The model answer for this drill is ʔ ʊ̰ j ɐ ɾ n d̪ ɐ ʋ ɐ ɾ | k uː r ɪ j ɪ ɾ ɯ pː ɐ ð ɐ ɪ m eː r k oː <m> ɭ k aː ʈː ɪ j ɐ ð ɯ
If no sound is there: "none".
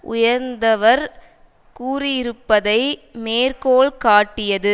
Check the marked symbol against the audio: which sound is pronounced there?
none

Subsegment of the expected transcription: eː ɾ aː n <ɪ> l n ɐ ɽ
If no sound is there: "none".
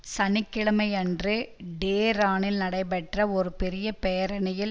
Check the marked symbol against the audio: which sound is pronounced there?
ɪ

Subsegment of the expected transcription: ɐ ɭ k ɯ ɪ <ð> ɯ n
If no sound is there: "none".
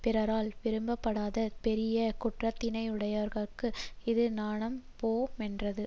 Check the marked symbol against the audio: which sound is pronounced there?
ð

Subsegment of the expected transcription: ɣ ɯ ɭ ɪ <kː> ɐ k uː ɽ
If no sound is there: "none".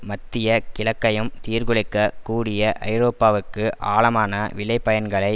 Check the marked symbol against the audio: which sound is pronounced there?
kː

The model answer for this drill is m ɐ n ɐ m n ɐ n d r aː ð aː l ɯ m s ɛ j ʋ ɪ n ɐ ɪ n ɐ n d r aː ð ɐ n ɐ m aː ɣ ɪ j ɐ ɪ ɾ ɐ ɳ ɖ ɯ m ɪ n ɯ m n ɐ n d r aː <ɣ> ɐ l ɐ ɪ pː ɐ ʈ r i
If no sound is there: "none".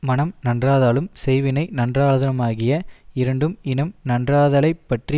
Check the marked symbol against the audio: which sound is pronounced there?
ð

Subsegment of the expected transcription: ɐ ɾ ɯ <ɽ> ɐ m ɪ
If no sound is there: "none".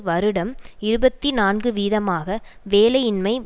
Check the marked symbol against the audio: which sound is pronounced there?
ɽ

